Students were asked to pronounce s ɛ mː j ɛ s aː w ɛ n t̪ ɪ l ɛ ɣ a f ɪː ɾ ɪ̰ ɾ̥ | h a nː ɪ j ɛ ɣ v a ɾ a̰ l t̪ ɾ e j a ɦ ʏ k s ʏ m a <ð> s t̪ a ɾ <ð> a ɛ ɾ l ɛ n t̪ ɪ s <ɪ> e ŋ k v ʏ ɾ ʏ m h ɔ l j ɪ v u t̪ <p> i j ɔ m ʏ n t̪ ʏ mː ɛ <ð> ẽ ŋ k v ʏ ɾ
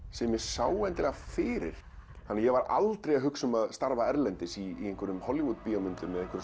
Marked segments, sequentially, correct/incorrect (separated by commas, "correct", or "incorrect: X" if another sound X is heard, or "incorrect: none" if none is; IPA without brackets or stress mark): correct, incorrect: v, incorrect: i, correct, correct